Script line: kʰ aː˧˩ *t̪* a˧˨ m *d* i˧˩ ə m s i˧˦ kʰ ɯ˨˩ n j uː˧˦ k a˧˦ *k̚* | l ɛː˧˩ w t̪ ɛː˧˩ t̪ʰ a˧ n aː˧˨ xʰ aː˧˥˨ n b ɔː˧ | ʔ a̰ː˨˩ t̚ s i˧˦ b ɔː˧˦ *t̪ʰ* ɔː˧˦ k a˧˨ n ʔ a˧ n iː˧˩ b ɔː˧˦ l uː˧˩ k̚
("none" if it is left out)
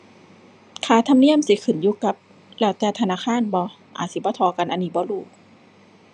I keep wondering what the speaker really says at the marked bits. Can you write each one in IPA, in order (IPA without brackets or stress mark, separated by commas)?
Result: t̪ʰ, n, p̚, t̪ʰ